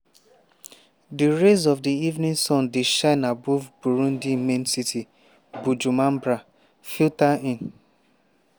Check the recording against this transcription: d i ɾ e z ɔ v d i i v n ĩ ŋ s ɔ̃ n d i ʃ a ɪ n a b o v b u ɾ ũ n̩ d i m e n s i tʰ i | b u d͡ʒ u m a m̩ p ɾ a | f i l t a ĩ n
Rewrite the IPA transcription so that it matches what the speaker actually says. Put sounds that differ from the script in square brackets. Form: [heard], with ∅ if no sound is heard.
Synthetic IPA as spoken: d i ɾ e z ɔ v d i i v n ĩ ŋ s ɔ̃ n d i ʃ a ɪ n a b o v b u ɾ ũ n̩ d i m e n s i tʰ i | b u d͡ʒ u m a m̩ [b] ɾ a | f i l t a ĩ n